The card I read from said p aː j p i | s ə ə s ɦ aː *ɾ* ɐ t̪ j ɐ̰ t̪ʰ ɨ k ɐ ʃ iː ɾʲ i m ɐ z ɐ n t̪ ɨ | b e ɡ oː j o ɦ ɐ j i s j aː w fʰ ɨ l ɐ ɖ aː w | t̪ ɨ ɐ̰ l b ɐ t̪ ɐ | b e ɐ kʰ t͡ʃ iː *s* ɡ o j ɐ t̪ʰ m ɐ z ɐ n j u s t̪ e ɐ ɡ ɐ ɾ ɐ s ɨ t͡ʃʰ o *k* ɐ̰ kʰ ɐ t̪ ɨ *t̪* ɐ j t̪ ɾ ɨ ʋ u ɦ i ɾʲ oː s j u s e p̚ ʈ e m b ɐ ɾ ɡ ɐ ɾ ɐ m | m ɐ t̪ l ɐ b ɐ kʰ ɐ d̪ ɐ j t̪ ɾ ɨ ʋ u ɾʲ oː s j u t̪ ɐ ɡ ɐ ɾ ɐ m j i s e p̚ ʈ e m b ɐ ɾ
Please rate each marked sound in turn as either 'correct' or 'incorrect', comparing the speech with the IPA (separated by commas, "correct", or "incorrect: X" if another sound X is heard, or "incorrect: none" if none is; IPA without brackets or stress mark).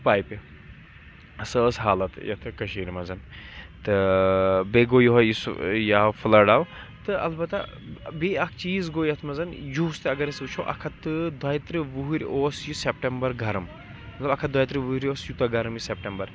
incorrect: l, incorrect: z, incorrect: ʔ, incorrect: d̪